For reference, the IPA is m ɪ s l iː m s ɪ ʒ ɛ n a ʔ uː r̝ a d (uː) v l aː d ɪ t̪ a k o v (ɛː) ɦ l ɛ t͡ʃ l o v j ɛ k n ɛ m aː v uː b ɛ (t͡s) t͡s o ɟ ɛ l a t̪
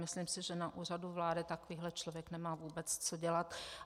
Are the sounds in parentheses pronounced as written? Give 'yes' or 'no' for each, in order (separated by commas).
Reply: no, no, yes